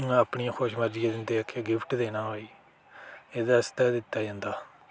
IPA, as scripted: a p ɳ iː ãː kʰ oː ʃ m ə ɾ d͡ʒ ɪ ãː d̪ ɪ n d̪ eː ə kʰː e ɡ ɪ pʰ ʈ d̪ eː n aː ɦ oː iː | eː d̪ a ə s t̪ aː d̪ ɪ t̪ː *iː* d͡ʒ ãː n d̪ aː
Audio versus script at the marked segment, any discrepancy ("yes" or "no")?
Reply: yes